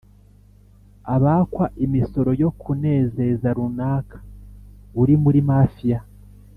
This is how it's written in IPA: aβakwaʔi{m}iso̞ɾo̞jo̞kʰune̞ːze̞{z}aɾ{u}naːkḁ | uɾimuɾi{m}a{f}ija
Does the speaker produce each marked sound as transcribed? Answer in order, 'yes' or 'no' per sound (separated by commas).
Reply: yes, yes, yes, yes, yes